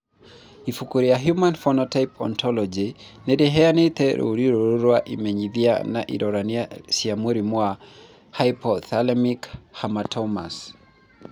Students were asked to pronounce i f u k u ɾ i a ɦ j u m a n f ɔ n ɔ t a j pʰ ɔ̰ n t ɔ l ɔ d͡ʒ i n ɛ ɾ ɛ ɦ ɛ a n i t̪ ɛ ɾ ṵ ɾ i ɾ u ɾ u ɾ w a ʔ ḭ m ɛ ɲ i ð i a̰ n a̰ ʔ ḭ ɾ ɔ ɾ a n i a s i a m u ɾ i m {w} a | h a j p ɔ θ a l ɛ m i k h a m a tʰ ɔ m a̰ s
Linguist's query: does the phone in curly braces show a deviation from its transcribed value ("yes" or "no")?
no